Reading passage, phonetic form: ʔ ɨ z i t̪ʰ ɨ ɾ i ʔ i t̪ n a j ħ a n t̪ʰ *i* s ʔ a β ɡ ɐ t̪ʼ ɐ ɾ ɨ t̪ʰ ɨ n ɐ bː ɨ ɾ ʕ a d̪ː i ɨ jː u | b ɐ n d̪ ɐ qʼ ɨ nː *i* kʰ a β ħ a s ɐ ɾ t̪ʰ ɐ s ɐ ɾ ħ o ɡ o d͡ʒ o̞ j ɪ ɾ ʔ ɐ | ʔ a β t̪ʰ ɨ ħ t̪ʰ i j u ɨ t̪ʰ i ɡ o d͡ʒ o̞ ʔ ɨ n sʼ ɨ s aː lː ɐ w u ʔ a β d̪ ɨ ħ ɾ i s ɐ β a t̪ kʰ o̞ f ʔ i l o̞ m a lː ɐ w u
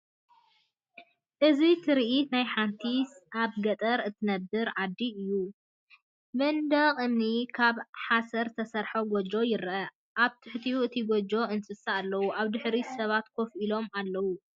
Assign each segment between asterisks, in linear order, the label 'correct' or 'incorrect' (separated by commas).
correct, correct